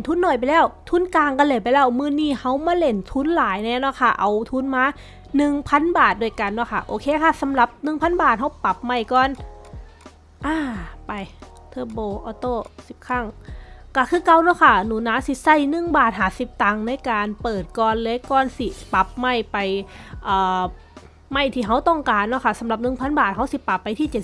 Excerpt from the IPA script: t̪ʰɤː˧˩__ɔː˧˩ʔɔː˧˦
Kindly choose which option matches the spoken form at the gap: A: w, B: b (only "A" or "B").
B